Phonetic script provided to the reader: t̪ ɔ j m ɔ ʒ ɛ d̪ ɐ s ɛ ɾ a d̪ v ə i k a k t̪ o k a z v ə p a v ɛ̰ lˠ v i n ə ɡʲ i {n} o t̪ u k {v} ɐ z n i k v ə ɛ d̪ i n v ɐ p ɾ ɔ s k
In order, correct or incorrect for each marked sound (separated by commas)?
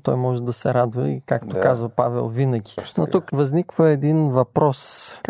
correct, correct